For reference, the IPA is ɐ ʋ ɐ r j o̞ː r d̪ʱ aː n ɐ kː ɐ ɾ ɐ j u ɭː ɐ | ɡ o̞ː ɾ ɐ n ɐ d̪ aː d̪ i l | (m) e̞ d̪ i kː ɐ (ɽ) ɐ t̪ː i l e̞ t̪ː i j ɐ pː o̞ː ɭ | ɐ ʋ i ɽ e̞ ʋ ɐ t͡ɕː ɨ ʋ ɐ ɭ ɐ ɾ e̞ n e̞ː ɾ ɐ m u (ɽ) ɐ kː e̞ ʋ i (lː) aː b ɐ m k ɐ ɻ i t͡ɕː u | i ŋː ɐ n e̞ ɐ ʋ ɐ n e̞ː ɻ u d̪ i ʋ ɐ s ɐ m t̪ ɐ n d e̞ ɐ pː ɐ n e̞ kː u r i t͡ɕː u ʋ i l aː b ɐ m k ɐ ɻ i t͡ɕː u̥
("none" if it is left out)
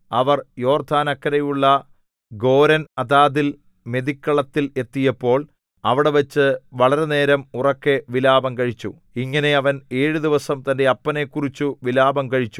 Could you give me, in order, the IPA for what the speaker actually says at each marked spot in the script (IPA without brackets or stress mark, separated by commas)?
m, ɭ, r, l